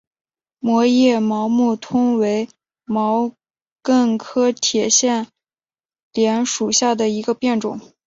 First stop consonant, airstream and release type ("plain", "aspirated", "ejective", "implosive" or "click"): aspirated